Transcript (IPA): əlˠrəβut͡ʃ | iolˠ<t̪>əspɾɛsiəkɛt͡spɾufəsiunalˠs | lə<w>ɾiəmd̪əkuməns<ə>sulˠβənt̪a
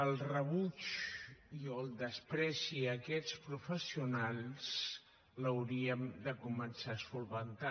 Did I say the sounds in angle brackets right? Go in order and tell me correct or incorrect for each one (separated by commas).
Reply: incorrect, correct, incorrect